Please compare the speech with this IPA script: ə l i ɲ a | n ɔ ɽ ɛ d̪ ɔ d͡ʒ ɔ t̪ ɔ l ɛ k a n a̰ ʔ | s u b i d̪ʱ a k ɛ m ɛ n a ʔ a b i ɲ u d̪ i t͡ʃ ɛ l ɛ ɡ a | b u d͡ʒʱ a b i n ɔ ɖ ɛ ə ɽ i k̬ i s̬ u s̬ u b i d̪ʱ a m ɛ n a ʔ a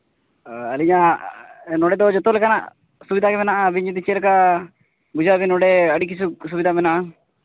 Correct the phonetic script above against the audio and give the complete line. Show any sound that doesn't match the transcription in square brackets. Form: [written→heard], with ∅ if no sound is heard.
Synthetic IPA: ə l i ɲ a | n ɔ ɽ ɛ d̪ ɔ d͡ʒ ɔ t̪ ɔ l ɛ k a n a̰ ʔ | s u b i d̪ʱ a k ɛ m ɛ n a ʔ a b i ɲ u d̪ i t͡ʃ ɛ l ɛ [ɡ→k] a | b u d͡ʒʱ a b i n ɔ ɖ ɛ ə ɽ i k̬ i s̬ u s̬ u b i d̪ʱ a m ɛ n a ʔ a